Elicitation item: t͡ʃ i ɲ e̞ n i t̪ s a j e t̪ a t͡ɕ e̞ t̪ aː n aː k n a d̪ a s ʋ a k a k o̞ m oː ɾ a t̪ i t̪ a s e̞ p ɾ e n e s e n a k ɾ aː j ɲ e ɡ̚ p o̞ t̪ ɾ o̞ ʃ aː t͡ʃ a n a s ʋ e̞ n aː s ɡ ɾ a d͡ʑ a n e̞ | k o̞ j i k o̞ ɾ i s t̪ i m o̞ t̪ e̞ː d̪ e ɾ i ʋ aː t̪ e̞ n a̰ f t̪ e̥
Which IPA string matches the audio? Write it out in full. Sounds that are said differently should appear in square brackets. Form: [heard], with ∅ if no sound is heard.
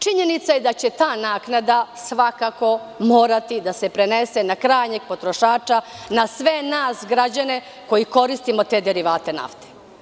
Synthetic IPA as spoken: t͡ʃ i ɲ e̞ n i t̪ s a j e [d̪] a t͡ɕ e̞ t̪ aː n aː k n a d̪ a s ʋ a k a k o̞ m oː ɾ a t̪ i [d̪] a s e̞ p ɾ e n e s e n a k ɾ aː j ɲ e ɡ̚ p o̞ t̪ ɾ o̞ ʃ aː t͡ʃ a n a s ʋ e̞ n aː s ɡ ɾ a d͡ʑ a n e̞ | k o̞ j i k o̞ ɾ i s t̪ i m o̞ t̪ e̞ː d̪ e ɾ i ʋ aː t̪ e̞ n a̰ f t̪ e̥

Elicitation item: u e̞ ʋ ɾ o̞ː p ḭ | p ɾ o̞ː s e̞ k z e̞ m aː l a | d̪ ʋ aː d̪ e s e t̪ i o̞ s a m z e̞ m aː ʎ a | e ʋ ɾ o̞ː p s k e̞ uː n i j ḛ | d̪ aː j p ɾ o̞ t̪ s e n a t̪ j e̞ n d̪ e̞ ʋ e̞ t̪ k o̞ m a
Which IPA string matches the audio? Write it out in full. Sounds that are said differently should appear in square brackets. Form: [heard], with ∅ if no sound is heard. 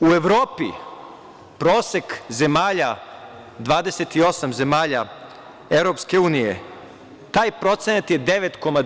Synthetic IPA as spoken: u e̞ ʋ ɾ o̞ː p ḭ | p ɾ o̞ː s e̞ k z e̞ m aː [ʎ] a | d̪ ʋ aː d̪ e s e t̪ i o̞ s a m z e̞ m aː ʎ a | e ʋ ɾ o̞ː p s k e̞ uː n i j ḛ | [t̪] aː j p ɾ o̞ t̪ s e n a t̪ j e̞ [∅] d̪ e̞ ʋ e̞ t̪ k o̞ m a

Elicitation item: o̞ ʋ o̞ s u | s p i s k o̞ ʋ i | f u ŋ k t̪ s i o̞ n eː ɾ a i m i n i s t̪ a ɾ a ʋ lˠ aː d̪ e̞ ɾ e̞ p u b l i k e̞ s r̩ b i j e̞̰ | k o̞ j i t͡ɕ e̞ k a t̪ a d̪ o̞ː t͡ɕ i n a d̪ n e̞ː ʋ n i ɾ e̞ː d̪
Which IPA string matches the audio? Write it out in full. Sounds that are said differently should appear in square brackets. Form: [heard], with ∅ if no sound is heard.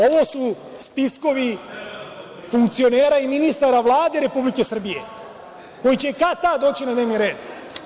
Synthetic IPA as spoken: o̞ ʋ o̞ s u | s p i s k o̞ ʋ i | f u ŋ k t̪ s i o̞ n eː ɾ a i m i n i s t̪ a ɾ a ʋ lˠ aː d̪ e̞ ɾ e̞ p u b l i k e̞ s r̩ b i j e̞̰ | k o̞ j i t͡ɕ e̞ k a t̪ a d̪ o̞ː t͡ɕ i n a d̪ n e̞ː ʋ n i ɾ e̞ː d̪

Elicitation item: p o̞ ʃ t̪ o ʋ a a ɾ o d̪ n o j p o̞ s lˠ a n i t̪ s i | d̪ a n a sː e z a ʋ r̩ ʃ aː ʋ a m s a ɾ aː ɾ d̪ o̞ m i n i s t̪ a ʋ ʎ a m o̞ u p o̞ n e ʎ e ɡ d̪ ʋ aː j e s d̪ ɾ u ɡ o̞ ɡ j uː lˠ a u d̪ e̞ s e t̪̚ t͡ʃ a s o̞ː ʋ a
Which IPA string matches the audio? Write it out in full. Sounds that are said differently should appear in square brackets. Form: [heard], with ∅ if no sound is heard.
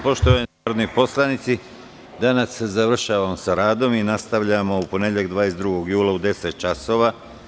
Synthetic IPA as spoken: p o̞ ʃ t̪ o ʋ a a ɾ o d̪ n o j p o̞ s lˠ a n i t̪ s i | d̪ a n a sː e z a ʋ r̩ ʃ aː ʋ a m s a ɾ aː [∅] d̪ o̞ m i n [a] s t̪ a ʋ ʎ a m o̞ u p o̞ n e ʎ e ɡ d̪ ʋ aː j e s d̪ ɾ u ɡ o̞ ɡ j uː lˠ a u d̪ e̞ s e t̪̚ t͡ʃ a s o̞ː ʋ a

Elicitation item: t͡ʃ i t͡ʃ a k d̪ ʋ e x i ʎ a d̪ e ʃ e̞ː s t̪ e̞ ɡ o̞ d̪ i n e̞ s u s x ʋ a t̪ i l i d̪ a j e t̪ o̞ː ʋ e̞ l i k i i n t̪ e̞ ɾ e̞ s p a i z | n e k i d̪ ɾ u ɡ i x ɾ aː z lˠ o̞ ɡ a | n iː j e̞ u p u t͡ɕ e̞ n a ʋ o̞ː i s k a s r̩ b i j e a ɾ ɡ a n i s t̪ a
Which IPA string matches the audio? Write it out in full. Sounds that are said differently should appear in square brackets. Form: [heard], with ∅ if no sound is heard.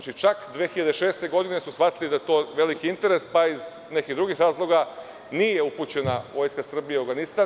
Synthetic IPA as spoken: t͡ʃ i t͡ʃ a k d̪ ʋ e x i ʎ a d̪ e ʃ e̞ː s t̪ e̞ ɡ o̞ d̪ i n e̞ s u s x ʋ a t̪ i l i d̪ a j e t̪ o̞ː ʋ e̞ l i k i i n t̪ e̞ ɾ e̞ s p a i z | n e k i d̪ ɾ u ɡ i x ɾ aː z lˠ o̞ ɡ a | n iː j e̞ u p u t͡ɕ e̞ n a ʋ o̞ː [j] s k a s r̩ b i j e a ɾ ɡ a n i s t̪ a

